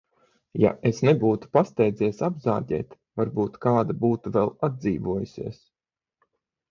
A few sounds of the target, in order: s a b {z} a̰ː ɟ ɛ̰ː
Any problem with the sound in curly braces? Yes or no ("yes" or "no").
no